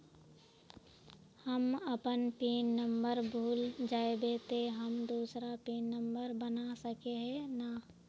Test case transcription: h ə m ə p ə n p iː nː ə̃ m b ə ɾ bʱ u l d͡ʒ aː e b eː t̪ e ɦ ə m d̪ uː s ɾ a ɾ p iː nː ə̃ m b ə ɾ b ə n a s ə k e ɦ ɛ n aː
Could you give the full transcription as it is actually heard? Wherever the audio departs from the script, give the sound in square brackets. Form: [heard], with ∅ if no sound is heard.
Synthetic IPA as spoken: h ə m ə p ə n p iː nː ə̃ m b ə ɾ bʱ [uː] l d͡ʒ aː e b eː t̪ e ɦ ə m d̪ uː s ɾ a [∅] p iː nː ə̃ m b ə ɾ b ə n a s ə k e ɦ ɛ n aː